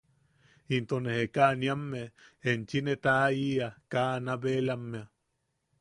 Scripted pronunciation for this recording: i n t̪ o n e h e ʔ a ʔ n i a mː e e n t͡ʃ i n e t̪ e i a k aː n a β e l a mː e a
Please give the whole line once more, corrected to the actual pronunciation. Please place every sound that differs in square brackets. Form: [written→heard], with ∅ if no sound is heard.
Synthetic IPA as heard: i n t̪ o n e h e [ʔ→k] a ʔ n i a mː e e n t͡ʃ i n e t̪ [e→a] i a k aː n a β e l a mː e a